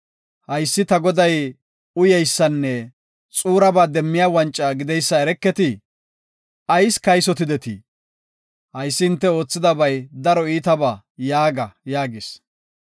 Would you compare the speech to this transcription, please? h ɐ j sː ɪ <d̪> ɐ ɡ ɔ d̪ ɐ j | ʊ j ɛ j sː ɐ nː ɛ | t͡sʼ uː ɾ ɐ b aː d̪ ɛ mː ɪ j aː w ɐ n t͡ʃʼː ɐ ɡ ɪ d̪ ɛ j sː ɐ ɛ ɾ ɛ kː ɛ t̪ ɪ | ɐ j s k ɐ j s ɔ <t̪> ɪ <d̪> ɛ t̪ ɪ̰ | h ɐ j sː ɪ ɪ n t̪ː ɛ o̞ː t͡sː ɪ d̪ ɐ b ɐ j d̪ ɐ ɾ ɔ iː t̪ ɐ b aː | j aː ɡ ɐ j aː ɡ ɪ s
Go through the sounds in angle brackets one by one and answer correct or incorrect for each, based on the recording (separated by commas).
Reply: incorrect, correct, correct